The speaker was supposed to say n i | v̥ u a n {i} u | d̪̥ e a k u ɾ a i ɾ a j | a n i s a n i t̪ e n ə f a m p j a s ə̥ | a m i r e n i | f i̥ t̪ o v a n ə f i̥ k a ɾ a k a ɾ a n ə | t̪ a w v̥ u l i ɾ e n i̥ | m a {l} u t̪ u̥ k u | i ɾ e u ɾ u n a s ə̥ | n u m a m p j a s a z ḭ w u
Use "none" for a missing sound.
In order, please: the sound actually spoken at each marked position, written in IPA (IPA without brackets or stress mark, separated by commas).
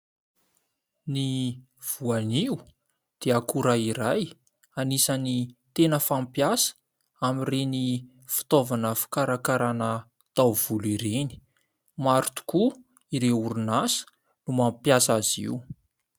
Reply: i, ɾ